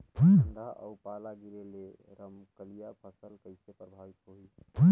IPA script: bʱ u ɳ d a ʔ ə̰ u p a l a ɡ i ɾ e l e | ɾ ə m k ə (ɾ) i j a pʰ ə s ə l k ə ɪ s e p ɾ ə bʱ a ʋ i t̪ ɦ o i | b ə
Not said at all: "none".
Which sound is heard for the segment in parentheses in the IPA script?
l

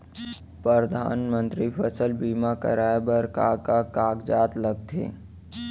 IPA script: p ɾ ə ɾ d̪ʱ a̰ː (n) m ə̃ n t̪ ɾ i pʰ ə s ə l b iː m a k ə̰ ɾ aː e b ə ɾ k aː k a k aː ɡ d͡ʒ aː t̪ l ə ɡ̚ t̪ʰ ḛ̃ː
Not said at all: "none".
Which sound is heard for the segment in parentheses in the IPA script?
n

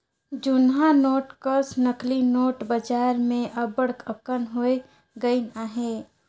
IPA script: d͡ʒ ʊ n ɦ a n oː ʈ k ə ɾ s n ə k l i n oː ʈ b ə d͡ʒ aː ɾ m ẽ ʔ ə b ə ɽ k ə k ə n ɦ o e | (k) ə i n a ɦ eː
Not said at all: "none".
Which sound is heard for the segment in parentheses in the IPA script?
ɡ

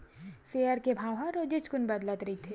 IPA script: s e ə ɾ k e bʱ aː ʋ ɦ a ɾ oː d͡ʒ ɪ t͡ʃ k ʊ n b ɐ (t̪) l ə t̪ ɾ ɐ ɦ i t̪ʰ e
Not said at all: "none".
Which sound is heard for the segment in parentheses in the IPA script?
d̪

